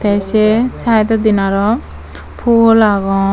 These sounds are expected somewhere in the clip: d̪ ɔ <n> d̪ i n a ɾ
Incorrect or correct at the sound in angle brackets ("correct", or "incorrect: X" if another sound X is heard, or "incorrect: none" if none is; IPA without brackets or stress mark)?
incorrect: none